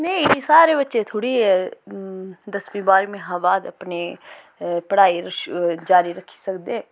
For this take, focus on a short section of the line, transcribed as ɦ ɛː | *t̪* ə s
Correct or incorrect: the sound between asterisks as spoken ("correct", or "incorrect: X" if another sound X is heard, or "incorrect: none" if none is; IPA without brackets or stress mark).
incorrect: d̪